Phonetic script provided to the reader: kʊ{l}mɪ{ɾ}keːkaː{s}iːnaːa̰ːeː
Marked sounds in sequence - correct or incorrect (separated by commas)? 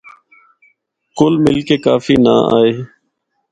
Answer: correct, incorrect, incorrect